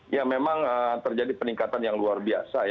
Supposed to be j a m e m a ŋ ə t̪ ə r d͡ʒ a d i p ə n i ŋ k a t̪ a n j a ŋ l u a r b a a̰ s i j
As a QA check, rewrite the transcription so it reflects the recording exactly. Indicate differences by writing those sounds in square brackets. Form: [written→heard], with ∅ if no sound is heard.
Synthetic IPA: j a m e m a ŋ ə t̪ ə r d͡ʒ a d i p ə n i ŋ k a t̪ a n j a ŋ l u a r b [a→i] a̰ s [i→a] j

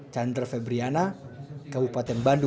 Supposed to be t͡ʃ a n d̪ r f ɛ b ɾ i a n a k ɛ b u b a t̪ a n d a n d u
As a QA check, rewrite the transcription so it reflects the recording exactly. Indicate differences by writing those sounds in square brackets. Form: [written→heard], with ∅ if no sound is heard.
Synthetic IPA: t͡ʃ a n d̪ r f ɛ b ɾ i a n a k [ɛ→a] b u [b→p] a t̪ [a→ɛ] n [d→b] a n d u

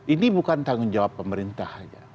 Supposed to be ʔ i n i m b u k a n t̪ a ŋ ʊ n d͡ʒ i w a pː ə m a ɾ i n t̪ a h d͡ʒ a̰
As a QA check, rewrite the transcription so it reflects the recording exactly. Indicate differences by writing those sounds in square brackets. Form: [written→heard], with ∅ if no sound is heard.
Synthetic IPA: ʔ i n i [m→∅] b u k a n t̪ a ŋ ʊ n d͡ʒ [i→a] w a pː ə m [a→ə] ɾ i n t̪ a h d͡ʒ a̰

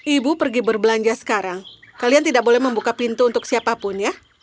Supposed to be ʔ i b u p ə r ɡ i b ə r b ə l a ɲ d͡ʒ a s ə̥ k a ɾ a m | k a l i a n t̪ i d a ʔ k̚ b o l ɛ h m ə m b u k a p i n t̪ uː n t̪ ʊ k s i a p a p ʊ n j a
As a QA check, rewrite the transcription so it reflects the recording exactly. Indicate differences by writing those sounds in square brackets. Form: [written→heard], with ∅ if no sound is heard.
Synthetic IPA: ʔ i b u p ə r ɡ i b ə r b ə l a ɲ d͡ʒ a s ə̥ k a ɾ a [m→ŋ] | k a l i a n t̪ i d a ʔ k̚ b o l ɛ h m ə m b u k a p i n t̪ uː n t̪ ʊ k s i a p a p ʊ n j a

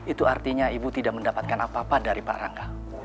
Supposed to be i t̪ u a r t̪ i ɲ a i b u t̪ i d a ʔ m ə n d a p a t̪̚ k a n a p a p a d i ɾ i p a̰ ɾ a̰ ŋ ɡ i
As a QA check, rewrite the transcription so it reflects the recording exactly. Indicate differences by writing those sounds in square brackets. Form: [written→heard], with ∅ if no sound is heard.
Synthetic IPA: i t̪ u a r t̪ i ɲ a i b u t̪ i d a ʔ m ə n d a p a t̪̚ k a n a p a p a d [i→a] ɾ i p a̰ ɾ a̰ ŋ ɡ [i→a]

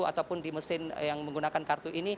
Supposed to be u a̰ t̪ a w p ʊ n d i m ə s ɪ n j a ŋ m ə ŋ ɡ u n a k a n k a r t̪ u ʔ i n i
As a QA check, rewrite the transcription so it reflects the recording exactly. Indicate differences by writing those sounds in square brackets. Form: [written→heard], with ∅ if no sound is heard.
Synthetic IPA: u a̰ t̪ a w p ʊ n d i m ə s ɪ n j a ŋ m ə ŋ ɡ u n a k a n k a r t̪ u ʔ i n i

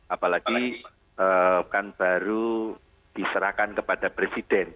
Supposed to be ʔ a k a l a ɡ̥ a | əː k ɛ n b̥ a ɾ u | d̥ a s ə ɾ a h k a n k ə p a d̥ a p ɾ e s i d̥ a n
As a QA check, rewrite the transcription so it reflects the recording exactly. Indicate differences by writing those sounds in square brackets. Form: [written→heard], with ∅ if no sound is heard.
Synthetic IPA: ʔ a [k→p] a l a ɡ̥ [a→i] | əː k [ɛ→a] n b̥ a ɾ u | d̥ [a→i] s ə ɾ a h k a n k ə p a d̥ a p ɾ e s i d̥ [a→ɛ] n

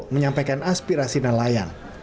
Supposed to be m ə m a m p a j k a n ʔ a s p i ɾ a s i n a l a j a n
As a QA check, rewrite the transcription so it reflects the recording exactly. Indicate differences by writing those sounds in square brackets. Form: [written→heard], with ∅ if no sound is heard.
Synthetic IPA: m ə [m→ɲ] a m p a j k a n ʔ a s p i ɾ a s i n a l a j a n

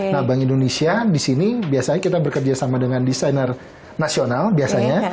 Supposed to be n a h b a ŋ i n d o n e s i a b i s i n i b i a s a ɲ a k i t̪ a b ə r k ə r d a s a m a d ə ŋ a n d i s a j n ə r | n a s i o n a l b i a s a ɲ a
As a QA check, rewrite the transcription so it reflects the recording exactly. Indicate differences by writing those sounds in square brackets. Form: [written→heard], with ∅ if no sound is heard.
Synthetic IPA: n a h b a ŋ i n d o n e s i a [b→d] i s i n i b i a s a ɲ a k i t̪ a b ə r k ə r [d→d͡ʒ] a s a m a d ə ŋ a n d i s a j n ə r | n a s i o n a l b i a s a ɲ a

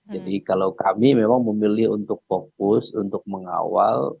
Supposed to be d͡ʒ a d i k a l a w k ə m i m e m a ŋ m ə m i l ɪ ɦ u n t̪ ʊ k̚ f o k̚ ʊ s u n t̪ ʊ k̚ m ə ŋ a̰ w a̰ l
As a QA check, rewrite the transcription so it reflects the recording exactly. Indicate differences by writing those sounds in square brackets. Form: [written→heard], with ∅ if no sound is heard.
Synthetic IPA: d͡ʒ a d i k a l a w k [ə→a] m i m e m a ŋ m ə m i l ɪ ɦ u n t̪ ʊ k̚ f o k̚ ʊ s u n t̪ ʊ k̚ m ə ŋ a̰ w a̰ l

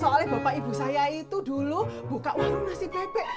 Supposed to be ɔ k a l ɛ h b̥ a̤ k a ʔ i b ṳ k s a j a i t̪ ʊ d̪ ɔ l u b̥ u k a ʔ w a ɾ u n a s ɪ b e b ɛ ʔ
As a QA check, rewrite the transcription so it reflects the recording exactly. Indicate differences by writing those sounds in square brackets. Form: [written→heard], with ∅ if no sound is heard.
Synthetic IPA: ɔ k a l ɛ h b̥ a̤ [k→p] a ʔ i b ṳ [k→∅] s a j a i t̪ [ʊ→u] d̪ [ɔ→u] l u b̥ u k a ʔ w a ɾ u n a s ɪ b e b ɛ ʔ

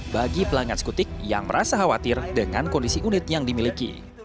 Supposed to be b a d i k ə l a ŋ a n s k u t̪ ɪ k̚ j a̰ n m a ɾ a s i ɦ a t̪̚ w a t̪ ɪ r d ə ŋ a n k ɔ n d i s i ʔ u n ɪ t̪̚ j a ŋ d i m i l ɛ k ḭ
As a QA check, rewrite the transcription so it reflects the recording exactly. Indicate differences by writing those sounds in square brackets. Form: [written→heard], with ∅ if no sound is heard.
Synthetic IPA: b a [d→ɡ] i [k→p] ə l a ŋ a n s k u t̪ ɪ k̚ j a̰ [n→ŋ] m [a→ə] ɾ a s [i→a] ɦ a [t̪̚→∅] w a t̪ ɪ r d ə ŋ a n k ɔ n d i s i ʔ u n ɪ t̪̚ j a ŋ d i m i l [ɛ→i] k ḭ

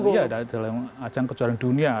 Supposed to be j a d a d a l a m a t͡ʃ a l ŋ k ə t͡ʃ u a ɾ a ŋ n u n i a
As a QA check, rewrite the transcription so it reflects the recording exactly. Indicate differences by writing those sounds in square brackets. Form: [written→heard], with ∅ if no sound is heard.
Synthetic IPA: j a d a d a l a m a t͡ʃ a [l→∅] ŋ k ə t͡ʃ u a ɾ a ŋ [n→d] u n i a

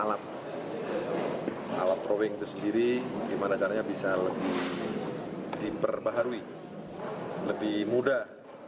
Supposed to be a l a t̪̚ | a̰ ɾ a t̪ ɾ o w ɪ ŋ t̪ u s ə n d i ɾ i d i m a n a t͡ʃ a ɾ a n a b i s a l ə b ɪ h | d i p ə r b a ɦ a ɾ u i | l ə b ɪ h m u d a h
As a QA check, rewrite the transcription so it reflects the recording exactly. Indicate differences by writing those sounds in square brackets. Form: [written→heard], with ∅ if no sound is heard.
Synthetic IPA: a l a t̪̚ | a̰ [ɾ→l] a t̪ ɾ o w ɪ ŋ t̪ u s ə n d i ɾ i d i m a n a t͡ʃ a ɾ a [n→ɲ] a b i s a l ə b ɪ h | d i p ə r b a ɦ a ɾ u i | l ə b ɪ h m u d a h

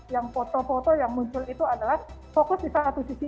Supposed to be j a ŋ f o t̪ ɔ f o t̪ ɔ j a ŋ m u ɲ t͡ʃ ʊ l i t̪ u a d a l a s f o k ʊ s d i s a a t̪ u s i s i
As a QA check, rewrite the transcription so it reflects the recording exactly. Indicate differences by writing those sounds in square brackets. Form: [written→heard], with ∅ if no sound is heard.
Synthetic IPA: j a ŋ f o t̪ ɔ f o t̪ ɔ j a ŋ m u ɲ t͡ʃ ʊ l i t̪ u a d a l a [s→h] f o k ʊ s d i s a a t̪ u s i s i

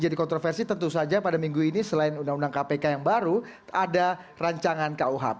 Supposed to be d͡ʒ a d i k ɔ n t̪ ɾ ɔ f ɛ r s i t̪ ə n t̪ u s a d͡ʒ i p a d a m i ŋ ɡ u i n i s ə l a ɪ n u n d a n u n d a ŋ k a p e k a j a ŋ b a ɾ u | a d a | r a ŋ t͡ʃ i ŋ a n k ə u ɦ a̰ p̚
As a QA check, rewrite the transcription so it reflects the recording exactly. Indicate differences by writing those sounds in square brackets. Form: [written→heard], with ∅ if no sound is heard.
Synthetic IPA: d͡ʒ a d i k ɔ n t̪ ɾ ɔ f ɛ r s i t̪ ə n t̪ u s a d͡ʒ [i→a] p a d a m i ŋ ɡ u i n i s ə l a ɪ n u n d a [n→ŋ] u n d a ŋ k a p e k a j a ŋ b a ɾ u | a d a | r a [ŋ→ɲ] t͡ʃ [i→a] ŋ a n k [ə→a] u ɦ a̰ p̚

